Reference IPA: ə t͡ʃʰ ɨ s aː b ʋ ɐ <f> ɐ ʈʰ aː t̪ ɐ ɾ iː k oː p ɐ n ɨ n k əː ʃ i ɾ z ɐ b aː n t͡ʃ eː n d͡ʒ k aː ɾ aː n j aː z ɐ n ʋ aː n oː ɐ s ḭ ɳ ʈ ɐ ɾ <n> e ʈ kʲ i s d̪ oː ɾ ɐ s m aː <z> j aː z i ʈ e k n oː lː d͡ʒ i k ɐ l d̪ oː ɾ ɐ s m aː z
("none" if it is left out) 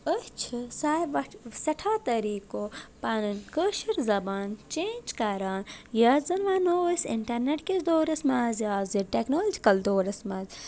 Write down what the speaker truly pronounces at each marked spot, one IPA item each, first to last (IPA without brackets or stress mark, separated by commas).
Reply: s, n, z